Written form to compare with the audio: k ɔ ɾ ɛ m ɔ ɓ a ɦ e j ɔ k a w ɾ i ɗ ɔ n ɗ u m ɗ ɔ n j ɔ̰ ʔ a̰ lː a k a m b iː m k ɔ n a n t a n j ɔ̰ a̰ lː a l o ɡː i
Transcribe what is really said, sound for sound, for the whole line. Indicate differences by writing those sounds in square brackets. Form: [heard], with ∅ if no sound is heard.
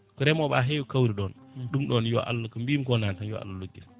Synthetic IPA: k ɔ ɾ ɛ m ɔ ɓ a ɦ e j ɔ k a w ɾ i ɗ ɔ n ɗ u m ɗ ɔ n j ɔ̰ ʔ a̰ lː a k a m b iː m k ɔ n a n t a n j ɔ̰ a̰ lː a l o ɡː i